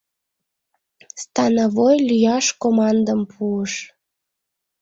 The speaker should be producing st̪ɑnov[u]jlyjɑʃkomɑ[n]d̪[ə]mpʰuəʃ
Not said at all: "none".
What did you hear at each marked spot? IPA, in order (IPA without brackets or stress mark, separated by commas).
o, n, ə